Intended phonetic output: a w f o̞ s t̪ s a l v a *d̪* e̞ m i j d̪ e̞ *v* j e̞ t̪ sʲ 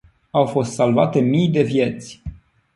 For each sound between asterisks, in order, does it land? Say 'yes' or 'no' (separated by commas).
no, yes